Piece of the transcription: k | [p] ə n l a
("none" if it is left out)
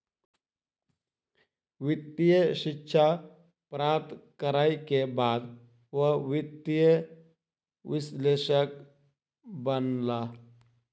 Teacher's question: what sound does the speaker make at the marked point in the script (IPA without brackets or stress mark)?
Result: b